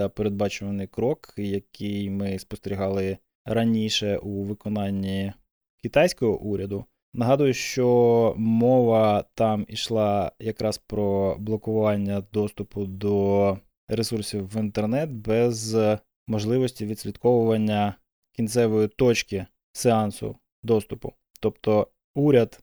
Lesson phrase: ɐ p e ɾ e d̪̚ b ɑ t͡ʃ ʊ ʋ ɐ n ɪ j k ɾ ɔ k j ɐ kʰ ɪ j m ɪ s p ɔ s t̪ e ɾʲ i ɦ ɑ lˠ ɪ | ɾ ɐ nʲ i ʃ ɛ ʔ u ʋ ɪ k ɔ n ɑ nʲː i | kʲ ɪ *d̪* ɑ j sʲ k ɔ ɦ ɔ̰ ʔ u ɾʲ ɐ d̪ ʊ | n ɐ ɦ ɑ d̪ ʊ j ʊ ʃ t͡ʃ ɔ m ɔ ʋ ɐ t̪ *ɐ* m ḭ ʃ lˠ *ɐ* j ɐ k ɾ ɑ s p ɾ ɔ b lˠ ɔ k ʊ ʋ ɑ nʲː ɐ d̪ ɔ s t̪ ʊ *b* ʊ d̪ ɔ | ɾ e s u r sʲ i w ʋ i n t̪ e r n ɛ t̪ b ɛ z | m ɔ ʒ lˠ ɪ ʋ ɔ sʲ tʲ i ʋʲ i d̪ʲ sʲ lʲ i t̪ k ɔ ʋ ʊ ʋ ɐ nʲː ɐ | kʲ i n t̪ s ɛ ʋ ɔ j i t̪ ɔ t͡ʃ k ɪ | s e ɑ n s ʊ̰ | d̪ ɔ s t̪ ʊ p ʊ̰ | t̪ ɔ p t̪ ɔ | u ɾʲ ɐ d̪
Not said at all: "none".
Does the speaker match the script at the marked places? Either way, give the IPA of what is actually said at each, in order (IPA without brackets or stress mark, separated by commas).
t̪, ɑ, ɑ, p